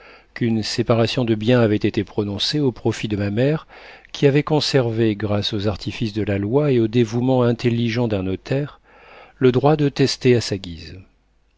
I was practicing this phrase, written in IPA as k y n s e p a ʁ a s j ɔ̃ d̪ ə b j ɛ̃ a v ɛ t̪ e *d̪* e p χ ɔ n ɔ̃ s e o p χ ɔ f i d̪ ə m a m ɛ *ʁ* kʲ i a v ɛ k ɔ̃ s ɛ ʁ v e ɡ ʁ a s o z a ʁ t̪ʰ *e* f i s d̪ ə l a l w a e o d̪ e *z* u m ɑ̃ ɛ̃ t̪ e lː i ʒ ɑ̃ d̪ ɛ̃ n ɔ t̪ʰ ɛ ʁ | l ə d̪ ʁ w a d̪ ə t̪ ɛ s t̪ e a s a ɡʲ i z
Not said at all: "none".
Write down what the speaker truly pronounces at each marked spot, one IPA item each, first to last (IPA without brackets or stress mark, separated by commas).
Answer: t̪, ʁ, i, v